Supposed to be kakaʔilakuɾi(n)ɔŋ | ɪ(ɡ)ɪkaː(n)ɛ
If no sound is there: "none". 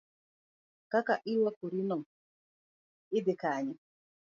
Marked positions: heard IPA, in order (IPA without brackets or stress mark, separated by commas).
n, d, ɲ